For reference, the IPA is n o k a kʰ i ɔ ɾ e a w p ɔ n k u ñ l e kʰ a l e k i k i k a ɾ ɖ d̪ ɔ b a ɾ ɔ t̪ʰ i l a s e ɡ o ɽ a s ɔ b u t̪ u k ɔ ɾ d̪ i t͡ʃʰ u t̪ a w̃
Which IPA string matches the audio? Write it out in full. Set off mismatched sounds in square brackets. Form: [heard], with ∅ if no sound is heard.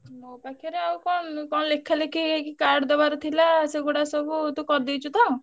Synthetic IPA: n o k a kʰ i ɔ ɾ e a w [k] ɔ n k [ɔ] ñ l e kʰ a l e k i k i k a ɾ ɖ d̪ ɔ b a ɾ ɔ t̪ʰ i l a s e ɡ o ɽ a s ɔ b u t̪ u k ɔ ɾ d̪ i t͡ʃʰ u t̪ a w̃